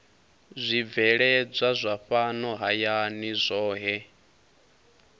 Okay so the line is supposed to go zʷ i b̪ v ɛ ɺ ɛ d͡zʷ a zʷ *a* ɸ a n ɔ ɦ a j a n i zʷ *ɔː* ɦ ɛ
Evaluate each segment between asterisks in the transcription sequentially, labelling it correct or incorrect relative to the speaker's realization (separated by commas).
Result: correct, correct